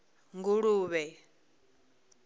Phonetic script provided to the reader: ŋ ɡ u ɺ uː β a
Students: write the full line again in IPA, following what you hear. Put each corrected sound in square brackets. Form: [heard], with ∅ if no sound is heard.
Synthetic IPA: ŋ ɡ u ɺ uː β [ɛ]